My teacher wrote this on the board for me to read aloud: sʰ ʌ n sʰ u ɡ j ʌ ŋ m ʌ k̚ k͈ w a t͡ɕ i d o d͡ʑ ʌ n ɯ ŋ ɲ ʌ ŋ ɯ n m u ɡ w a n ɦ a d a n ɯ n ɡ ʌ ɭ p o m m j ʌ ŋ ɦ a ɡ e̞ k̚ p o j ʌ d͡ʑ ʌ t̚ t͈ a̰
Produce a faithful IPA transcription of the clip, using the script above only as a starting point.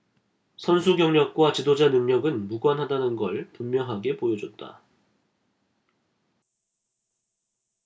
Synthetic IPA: sʰ ʌ n sʰ u ɡ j ʌ ŋ ɲ ʌ k̚ k͈ w a t͡ɕ i d o d͡ʑ a n ɯ ŋ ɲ ʌ ɡ ɯ n m u ɡ w a n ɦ a d a n ɯ n ɡ ʌ ɭ p u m m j ʌ ŋ ɦ a ɡ e̞ p o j ʌ d͡ʑ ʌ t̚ t͈ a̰

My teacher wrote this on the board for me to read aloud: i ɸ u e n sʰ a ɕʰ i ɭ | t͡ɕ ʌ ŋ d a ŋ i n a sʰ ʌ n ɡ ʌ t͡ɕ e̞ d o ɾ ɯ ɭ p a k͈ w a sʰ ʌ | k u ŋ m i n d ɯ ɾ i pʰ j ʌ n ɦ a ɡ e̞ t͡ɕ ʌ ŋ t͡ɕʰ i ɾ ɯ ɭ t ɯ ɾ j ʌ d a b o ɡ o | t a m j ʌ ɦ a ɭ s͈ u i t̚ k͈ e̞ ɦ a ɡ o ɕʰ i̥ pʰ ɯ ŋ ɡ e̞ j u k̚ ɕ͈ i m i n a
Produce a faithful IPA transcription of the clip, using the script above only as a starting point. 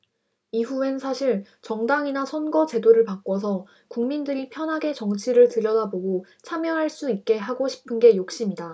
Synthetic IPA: i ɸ u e n sʰ a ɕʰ i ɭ | t͡ɕ ʌ ŋ d a ŋ i n a sʰ ʌ n ɡ ʌ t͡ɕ e̞ d o ɾ ɯ ɭ p a k͈ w ʌ sʰ ʌ | k u ŋ m i n d ɯ ɾ i pʰ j ʌ n ɦ a ɡ e̞ t͡ɕ ʌ ŋ t͡ɕʰ i ɾ ɯ ɭ t ɯ ɾ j ʌ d a b o ɡ o | t͡ɕʰ a m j ʌ ɦ a ɭ s͈ u i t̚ k͈ e̞ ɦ a ɡ o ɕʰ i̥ pʰ ɯ n ɡ e̞ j o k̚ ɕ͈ i m i d a

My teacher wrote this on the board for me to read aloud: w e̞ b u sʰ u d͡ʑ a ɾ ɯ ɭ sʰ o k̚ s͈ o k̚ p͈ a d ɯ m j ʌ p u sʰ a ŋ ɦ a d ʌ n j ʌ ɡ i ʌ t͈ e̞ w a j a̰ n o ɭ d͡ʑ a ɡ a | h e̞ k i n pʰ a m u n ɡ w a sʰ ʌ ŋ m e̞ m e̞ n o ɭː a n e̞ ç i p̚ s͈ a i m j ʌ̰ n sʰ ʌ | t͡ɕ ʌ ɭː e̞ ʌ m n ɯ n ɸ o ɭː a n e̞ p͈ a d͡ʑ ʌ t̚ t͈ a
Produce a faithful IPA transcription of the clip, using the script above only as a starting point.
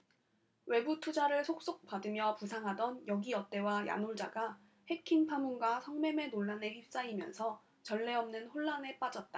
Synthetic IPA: w e̞ b u tʰ u d͡ʑ a ɾ ɯ ɭ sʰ o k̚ s͈ o k̚ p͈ a d ɯ m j ʌ p u sʰ a ŋ ɦ a d ʌ n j ʌ ɡ i ʌ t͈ e̞ w a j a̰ n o ɭ d͡ʑ a ɡ a | h e̞ kʰ i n pʰ a m u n ɡ w a sʰ ʌ ŋ m e̞ m e̞ n o ɭː a n e̞ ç i p̚ s͈ a i m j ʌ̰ n sʰ ʌ | t͡ɕ ʌ ɭː e̞ ʌ m n ɯ n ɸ o ɭː a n e̞ p͈ a d͡ʑ ʌ t̚ t͈ a

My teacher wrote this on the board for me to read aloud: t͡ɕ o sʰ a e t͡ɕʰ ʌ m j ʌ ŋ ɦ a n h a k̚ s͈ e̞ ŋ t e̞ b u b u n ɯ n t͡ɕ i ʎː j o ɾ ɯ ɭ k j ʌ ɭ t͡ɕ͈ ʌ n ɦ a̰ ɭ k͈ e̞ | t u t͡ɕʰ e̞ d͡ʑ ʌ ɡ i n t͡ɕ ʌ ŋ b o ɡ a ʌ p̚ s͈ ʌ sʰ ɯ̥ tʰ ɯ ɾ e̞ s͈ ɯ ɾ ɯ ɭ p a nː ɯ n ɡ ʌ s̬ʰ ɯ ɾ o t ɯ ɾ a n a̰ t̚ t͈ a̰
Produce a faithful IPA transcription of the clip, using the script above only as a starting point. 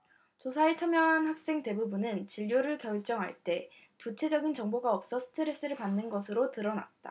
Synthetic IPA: t͡ɕ o sʰ a e t͡ɕʰ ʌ m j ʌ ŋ ɦ a n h a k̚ s͈ e̞ ŋ t e̞ b u b u n ɯ n t͡ɕ i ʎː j o ɾ ɯ ɭ k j ʌ ɭ t͡ɕ͈ ʌ ŋ ɦ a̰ ɭ t͈ e̞ | t u t͡ɕʰ e̞ d͡ʑ ʌ ɡ i n t͡ɕ ʌ ŋ b o ɡ a ʌ p̚ s͈ ʌ sʰ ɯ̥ tʰ ɯ ɾ e̞ s͈ ɯ ɾ ɯ ɭ p a nː ɯ n ɡ ʌ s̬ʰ ɯ ɾ o t ɯ ɾ ʌ n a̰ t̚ t͈ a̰

